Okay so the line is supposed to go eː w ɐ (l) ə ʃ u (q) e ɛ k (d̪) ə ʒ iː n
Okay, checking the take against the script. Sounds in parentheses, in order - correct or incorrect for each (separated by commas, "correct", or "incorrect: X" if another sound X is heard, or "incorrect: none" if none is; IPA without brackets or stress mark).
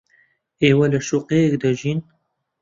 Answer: correct, correct, correct